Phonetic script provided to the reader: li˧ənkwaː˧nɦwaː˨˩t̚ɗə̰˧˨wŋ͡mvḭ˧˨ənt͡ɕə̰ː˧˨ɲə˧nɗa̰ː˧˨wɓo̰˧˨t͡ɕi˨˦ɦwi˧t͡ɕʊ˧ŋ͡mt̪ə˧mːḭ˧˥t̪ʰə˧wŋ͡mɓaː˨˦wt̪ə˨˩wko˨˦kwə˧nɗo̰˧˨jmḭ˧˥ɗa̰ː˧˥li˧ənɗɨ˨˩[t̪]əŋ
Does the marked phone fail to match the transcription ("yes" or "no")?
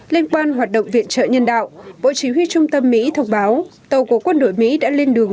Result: yes